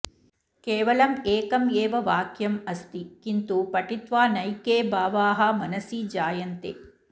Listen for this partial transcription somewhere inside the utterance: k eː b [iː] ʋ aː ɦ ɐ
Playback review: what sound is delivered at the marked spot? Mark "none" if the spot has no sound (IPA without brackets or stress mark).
aː